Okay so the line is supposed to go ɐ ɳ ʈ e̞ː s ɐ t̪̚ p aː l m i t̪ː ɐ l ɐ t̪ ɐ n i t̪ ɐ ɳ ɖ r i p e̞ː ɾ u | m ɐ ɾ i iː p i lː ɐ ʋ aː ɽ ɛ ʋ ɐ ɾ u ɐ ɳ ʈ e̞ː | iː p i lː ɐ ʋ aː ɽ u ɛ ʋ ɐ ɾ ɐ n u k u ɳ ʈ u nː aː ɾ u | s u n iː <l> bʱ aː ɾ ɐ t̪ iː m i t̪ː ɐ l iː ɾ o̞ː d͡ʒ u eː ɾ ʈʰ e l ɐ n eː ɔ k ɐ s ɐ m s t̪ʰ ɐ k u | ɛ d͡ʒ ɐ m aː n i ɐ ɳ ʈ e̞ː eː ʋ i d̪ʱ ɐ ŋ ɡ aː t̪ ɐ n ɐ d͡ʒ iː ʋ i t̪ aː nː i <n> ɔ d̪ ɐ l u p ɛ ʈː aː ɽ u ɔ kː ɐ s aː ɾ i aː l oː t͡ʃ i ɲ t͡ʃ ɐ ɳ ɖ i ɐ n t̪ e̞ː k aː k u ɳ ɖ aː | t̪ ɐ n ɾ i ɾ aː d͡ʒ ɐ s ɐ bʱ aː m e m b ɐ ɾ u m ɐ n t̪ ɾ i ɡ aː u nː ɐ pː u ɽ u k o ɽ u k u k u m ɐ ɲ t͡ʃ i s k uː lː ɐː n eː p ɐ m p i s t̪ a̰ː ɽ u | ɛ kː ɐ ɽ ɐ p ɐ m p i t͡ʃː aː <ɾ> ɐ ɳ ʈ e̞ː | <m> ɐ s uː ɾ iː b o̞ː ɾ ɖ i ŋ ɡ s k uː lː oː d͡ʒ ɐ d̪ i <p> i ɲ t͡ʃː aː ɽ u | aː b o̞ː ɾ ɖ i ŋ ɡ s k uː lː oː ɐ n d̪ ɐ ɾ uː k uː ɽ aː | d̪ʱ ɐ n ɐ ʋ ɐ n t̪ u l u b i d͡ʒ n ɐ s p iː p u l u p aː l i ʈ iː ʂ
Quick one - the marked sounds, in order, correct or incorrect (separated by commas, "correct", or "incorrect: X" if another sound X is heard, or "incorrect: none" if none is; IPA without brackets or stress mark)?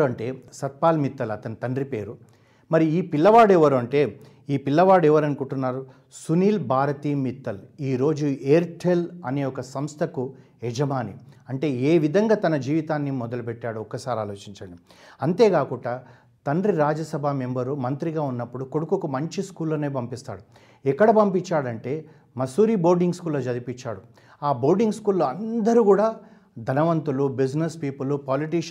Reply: correct, incorrect: m, incorrect: ɽ, correct, correct